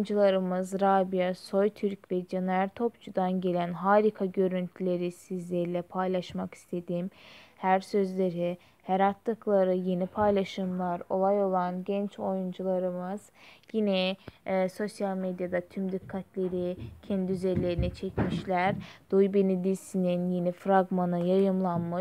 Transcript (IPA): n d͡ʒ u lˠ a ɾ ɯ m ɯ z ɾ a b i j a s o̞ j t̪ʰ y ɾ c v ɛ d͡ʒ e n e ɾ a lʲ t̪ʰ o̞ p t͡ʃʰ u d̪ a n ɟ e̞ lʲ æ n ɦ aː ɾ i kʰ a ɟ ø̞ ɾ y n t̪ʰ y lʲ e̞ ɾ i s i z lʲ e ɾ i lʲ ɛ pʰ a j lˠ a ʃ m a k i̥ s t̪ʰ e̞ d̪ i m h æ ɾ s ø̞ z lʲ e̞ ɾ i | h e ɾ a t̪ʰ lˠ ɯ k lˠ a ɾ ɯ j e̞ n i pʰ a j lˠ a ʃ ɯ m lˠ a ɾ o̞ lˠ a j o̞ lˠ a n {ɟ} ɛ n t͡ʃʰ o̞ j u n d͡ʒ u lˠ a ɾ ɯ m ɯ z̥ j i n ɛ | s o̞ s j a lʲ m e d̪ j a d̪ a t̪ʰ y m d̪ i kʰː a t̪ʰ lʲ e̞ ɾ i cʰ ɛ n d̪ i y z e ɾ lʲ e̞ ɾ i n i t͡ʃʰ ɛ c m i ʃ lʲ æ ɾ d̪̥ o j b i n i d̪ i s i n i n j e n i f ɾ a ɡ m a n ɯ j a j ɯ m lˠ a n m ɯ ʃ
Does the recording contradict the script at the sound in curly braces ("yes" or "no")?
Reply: no